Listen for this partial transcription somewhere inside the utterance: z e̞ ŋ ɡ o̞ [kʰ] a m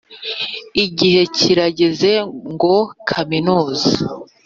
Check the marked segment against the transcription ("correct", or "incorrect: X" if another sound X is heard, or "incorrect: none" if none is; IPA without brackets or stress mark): correct